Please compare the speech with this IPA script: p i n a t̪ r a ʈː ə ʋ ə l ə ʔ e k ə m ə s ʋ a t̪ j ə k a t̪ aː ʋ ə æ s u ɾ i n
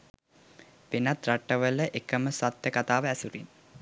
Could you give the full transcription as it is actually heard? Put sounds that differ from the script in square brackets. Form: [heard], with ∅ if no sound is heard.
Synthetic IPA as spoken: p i n a t̪ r a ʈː ə ʋ ə l ə ʔ e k ə m ə s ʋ a t̪ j ə k a t̪ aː ʋ ə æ s u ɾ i n